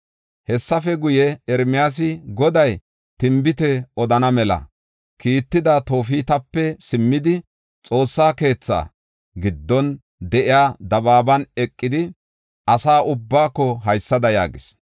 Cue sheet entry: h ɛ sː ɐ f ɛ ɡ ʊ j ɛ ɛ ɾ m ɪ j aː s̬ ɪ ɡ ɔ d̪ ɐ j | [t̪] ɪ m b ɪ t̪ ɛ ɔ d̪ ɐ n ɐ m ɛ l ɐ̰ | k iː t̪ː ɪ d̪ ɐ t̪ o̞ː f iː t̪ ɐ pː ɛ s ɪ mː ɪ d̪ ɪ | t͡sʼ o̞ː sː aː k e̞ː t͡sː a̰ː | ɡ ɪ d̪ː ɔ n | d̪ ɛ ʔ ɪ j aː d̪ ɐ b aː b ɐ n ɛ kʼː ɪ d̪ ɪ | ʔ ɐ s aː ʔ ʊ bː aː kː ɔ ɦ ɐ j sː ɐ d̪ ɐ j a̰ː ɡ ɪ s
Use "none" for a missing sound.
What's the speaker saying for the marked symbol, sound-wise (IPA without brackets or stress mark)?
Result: t̪